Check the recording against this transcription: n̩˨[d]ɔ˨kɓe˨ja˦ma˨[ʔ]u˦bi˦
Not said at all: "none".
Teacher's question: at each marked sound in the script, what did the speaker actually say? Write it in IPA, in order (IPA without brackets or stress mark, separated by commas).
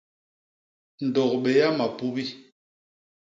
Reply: d, p